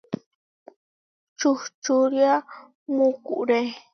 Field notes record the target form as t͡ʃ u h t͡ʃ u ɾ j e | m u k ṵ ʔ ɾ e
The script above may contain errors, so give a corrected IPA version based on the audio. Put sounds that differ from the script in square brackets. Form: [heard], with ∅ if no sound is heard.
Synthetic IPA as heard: t͡ʃ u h t͡ʃ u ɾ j [a] | m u k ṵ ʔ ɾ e